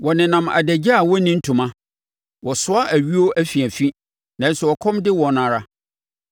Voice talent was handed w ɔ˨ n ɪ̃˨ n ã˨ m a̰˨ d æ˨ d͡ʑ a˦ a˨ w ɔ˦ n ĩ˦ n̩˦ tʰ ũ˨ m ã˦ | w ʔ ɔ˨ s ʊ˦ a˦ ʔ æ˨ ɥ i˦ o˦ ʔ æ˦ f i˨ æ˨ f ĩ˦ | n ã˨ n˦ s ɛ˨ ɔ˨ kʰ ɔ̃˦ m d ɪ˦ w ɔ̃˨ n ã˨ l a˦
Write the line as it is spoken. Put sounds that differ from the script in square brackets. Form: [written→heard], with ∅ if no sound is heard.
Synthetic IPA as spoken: w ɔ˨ n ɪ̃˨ n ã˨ m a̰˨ d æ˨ d͡ʑ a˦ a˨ w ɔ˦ n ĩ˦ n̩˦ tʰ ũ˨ m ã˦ | w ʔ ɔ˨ s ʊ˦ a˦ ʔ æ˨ ɥ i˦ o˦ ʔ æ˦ f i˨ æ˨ f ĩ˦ | n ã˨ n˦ s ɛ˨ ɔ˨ kʰ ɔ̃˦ m d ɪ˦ w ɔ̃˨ n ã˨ [l→ɾ] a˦

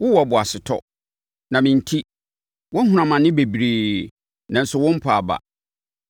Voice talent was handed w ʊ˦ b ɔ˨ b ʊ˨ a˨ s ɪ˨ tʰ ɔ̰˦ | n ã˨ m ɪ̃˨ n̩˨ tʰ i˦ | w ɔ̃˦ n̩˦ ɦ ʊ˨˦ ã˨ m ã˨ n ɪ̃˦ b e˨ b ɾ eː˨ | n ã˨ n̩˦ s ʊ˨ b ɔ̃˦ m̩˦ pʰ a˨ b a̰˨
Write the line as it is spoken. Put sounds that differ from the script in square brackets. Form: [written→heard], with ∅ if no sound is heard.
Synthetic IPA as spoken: w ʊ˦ [b→w] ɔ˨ b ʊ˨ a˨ s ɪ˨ tʰ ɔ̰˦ | n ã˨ m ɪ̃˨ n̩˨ tʰ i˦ | w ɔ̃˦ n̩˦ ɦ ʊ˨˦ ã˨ m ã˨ n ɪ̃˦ b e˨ b ɾ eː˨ | n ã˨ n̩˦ s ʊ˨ [b→w] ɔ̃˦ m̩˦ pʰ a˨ b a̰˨

